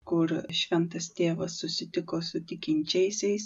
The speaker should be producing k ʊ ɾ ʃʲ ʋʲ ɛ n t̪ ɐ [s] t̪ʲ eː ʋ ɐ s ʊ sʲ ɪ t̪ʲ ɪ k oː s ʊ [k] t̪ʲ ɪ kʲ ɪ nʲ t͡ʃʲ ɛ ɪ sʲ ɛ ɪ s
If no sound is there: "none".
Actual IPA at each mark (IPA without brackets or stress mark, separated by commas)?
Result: s, none